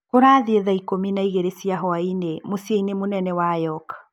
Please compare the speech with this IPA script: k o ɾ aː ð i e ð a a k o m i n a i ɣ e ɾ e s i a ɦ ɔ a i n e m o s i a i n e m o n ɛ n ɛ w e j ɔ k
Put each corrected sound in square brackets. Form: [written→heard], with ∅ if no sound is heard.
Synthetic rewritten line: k o ɾ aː ð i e ð a [a→i] k o m i n a i ɣ e ɾ e s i a ɦ ɔ a i n e m o s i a i n e m o n ɛ n ɛ w [e→a] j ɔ k